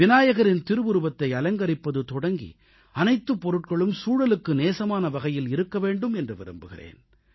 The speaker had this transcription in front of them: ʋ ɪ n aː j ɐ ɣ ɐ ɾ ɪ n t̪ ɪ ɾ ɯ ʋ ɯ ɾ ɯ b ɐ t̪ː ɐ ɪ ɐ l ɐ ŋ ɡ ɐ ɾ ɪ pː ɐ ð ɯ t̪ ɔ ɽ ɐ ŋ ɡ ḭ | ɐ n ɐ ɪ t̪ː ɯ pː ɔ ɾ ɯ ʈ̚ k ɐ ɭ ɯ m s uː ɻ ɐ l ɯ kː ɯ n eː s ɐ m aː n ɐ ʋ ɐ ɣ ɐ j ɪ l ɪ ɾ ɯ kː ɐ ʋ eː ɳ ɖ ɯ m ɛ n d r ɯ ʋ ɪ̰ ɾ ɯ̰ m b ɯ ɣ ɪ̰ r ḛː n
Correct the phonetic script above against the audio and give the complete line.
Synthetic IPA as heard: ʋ ɪ n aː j ɐ ɣ ɐ ɾ ɪ n t̪ ɪ ɾ ɯ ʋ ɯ ɾ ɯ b ɐ t̪ː ɐ ɪ ɐ l ɐ ŋ ɡ ɐ ɾ ɪ pː ɐ ð ɯ t̪ ɔ ɽ ɐ ŋ ɡ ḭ | ɐ n ɐ ɪ t̪ː ɯ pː ɔ ɾ ɯ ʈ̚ k ɐ ɭ ɯ m s uː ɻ ɐ l ɯ kː ɯ n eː s ɐ m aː n ɐ ʋ ɐ ɣ ɐ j ɪ l ɪ ɾ ɯ kː ɐ ʋ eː ɳ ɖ ɯ m ɛ n d r ɯ ʋ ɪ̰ ɾ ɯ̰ m b ɯ ɣ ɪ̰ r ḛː n